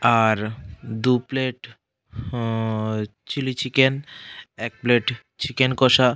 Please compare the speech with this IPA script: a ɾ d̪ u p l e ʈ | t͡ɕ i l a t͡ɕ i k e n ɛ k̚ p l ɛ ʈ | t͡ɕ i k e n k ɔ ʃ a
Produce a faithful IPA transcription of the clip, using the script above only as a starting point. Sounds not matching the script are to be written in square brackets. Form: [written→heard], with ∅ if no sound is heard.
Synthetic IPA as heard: a ɾ d̪ u p l e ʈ | t͡ɕ i l [a→i] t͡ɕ i k e n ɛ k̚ p l [ɛ→e] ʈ | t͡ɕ i k e n k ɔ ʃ a